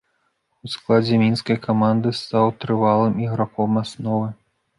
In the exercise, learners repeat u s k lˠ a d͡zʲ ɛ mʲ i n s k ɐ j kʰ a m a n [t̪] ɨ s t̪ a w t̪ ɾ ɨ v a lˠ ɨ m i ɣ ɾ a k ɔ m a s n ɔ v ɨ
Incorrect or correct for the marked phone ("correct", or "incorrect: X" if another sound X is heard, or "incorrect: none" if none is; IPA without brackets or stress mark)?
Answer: incorrect: d̪